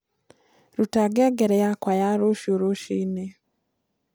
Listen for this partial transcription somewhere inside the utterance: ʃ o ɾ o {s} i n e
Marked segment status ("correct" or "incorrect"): incorrect